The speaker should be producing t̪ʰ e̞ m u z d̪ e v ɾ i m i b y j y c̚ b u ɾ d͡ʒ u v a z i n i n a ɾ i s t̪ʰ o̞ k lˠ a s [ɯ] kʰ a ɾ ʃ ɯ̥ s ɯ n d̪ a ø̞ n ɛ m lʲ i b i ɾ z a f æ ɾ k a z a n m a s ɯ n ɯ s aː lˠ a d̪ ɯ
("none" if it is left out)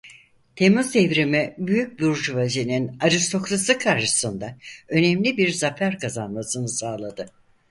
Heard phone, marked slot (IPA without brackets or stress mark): ɯ